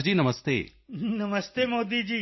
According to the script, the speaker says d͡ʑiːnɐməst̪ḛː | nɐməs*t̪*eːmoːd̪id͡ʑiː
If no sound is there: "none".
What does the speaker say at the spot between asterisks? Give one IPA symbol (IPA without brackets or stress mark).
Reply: t̪